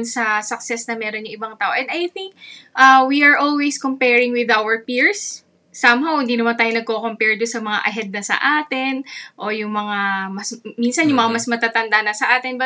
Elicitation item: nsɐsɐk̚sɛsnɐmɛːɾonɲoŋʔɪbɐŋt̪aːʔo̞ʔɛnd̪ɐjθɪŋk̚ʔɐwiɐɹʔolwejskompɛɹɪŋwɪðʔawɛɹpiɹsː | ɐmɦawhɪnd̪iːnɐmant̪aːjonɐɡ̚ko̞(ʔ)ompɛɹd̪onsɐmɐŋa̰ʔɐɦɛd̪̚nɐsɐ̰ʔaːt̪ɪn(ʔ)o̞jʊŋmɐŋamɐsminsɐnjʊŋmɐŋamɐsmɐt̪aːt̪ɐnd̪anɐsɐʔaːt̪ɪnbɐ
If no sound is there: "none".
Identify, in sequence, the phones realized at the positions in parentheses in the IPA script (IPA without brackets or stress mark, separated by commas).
k, ʔ